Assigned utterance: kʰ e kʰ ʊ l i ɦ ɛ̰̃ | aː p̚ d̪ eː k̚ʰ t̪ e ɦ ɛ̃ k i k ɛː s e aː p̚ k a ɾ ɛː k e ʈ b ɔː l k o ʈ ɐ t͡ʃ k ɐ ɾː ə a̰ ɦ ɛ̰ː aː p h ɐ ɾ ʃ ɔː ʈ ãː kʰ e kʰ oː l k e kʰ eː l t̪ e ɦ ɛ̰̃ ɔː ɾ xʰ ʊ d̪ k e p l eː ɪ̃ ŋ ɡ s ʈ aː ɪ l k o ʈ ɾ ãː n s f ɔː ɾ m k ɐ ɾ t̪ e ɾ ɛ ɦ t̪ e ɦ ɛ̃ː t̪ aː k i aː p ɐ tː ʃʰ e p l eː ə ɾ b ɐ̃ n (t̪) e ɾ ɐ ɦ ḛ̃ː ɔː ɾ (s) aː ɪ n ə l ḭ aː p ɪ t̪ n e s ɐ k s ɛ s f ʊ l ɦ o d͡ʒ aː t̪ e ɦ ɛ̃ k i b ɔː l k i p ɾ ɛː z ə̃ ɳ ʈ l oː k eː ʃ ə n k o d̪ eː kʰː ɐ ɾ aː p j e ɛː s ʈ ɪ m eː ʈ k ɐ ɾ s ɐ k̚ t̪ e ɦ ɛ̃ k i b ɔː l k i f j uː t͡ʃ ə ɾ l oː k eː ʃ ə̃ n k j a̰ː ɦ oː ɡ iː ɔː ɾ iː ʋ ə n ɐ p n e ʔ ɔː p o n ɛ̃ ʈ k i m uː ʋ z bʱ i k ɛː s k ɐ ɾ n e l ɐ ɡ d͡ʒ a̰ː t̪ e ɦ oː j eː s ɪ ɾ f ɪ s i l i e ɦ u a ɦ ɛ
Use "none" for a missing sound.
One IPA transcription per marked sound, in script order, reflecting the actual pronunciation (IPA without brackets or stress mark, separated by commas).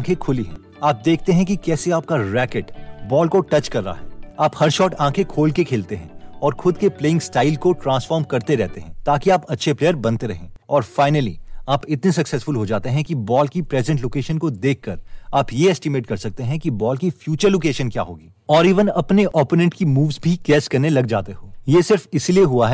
t̪, f